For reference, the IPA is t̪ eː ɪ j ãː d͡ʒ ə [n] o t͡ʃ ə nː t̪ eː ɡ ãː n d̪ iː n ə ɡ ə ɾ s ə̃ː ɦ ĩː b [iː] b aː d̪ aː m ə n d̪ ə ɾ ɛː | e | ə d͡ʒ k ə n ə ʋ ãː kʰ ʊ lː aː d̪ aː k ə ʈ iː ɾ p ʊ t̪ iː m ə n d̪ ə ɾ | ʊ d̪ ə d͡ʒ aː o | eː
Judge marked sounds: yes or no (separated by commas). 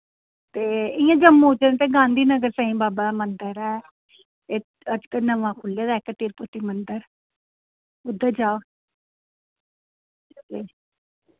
no, no